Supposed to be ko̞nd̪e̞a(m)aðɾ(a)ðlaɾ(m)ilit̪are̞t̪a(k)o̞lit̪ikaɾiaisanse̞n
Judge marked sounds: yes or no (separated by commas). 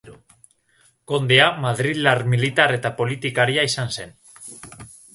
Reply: yes, no, yes, no